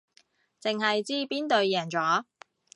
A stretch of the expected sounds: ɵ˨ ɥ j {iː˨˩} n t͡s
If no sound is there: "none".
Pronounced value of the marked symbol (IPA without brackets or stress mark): ɛː˨˩